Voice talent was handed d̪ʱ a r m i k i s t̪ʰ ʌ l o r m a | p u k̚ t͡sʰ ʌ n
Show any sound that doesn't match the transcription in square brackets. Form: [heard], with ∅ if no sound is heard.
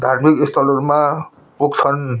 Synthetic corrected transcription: d̪ʱ a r m i k i s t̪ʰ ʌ l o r m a | p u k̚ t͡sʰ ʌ n